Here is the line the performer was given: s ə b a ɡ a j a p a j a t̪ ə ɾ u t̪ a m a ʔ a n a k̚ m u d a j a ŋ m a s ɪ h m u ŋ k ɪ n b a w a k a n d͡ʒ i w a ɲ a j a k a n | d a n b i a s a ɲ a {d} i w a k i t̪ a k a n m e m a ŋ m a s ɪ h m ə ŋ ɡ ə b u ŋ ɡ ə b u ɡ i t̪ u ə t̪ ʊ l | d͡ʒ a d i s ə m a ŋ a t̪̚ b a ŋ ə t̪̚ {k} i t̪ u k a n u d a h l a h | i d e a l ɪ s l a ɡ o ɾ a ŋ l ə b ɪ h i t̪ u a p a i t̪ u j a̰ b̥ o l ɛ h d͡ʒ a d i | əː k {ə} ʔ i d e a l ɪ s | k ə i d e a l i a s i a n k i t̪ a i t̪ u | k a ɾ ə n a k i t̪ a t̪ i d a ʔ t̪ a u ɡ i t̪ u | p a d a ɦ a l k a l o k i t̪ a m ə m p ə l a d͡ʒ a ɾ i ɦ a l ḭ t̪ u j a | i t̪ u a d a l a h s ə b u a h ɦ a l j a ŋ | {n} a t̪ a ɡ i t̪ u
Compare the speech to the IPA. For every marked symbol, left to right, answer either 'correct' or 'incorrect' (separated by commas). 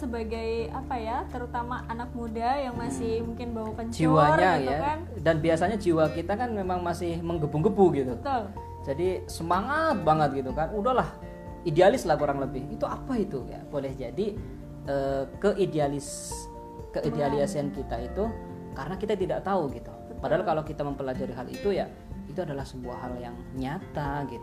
incorrect, incorrect, correct, incorrect